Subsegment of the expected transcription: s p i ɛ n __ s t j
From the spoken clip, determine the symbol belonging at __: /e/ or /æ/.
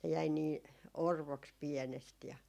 e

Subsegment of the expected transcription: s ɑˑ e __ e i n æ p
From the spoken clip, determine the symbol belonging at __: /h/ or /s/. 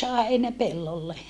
h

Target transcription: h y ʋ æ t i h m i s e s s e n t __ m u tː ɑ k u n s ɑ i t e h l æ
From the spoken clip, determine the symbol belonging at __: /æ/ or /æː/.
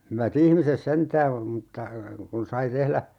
æː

